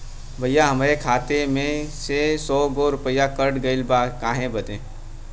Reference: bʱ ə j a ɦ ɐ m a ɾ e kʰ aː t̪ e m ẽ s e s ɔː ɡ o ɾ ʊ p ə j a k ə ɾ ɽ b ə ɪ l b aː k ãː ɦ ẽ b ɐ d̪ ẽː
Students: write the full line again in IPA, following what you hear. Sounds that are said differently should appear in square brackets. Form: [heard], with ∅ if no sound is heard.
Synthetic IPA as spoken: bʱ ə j a ɦ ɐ m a ɾ e kʰ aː t̪ e m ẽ s e s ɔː ɡ o ɾ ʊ p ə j a k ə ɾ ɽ [ɡ] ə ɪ l b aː k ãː ɦ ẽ b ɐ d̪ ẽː